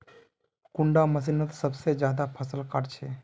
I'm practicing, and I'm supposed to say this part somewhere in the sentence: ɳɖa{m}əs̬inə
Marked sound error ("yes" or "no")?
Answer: no